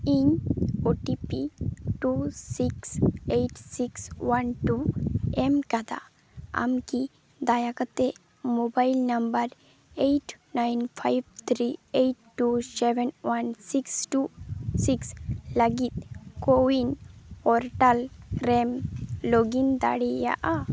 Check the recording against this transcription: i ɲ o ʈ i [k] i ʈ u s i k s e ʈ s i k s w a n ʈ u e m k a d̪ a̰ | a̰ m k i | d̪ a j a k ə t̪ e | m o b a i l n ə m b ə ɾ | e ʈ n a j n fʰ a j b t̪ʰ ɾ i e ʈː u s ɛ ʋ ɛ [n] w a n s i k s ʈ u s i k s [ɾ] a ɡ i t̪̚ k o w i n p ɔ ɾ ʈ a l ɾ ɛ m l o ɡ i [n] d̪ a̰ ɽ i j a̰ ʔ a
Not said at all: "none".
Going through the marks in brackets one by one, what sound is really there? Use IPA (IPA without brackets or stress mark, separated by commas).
p, n, l, n